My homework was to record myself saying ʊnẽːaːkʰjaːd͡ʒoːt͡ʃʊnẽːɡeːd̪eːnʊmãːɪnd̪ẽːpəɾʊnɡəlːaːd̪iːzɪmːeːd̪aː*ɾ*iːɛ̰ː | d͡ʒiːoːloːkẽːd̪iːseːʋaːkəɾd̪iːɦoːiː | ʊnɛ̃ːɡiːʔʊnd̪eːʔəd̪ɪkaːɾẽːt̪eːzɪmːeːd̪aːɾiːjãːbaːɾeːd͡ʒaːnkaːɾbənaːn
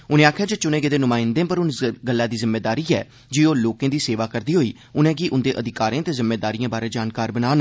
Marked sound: correct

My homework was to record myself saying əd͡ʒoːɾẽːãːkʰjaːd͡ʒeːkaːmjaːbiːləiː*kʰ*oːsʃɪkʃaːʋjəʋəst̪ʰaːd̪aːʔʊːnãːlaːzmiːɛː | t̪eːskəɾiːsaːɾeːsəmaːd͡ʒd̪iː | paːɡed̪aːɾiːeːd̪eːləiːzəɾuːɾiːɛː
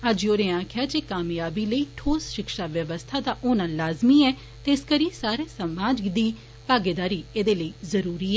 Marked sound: incorrect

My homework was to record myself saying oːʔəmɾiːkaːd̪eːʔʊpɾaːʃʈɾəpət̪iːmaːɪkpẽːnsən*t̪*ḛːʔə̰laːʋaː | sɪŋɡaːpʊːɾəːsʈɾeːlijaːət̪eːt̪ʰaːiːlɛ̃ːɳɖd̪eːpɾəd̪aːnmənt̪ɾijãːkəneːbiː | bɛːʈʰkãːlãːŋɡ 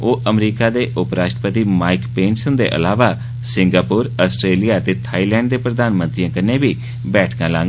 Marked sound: incorrect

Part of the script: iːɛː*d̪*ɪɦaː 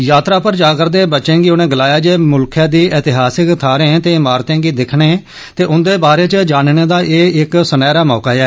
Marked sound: incorrect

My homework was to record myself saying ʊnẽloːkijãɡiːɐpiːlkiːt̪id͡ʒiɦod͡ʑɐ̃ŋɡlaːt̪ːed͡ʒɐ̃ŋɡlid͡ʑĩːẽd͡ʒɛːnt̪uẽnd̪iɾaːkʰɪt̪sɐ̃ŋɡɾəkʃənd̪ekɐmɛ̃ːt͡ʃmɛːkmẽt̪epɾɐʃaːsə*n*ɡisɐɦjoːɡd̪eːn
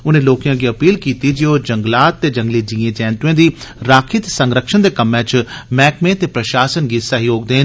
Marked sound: correct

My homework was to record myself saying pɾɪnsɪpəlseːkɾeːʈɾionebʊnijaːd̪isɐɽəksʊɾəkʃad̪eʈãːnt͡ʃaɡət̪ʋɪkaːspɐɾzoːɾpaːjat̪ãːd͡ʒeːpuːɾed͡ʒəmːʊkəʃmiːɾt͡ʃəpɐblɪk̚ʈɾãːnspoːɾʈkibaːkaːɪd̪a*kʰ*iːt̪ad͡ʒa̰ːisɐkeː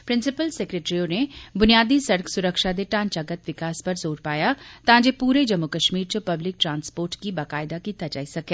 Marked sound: incorrect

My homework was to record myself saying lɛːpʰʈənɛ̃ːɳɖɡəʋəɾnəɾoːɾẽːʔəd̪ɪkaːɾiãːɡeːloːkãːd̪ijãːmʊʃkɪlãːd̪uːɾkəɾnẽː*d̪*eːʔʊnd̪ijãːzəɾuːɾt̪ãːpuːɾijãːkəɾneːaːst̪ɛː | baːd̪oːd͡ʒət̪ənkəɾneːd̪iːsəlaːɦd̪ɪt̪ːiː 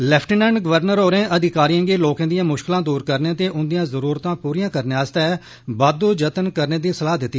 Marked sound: incorrect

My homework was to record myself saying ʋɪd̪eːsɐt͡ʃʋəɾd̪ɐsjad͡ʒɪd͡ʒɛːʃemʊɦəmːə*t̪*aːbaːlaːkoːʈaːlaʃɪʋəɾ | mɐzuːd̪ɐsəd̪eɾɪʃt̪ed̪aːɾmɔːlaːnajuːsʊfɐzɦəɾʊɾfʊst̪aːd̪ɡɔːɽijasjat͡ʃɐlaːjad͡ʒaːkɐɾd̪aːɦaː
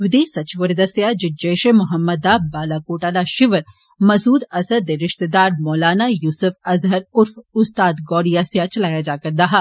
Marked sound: incorrect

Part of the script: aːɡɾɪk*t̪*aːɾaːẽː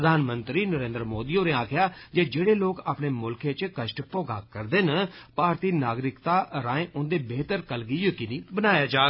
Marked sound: correct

